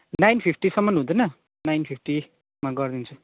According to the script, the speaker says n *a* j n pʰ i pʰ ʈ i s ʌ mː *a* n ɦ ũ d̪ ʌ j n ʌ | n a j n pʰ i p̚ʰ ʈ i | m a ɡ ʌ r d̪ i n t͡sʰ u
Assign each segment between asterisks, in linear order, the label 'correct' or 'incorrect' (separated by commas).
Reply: correct, incorrect